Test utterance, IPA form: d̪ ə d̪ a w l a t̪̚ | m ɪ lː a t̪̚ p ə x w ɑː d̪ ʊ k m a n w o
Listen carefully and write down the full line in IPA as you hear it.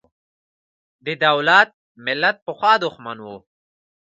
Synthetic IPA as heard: d̪ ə d̪ a w l a t̪̚ | m ɪ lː a t̪̚ p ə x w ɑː d̪ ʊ x m a n w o